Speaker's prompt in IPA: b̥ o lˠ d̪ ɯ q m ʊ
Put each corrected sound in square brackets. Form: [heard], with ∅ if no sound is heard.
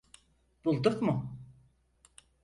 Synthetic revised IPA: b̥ [u] lˠ d̪ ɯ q m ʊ